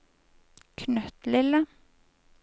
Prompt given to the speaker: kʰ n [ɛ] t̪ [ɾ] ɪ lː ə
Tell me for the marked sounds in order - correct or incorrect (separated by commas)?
incorrect, incorrect